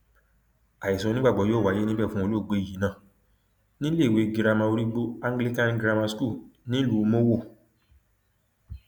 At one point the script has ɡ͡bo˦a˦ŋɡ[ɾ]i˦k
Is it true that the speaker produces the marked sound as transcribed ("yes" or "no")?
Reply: no